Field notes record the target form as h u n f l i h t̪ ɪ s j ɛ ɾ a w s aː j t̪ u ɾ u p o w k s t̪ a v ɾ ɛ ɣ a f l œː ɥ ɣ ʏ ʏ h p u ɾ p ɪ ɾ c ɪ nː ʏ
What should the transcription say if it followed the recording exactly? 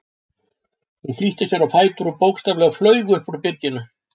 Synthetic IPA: h u n f l i h t̪ ɪ s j ɛ ɾ a w f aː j t̪ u ɾ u p o w k s t̪ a v l ɛ ɣ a f l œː ɥ ɣ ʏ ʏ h p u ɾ p ɪ ɾ c ɪ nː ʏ